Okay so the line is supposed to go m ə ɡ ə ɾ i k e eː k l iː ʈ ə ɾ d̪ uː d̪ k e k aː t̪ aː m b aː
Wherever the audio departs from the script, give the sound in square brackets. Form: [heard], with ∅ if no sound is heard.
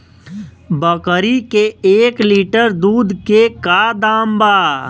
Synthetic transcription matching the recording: [b] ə [k] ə ɾ i k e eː k l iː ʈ ə ɾ d̪ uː d̪ k e k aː [d̪] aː m b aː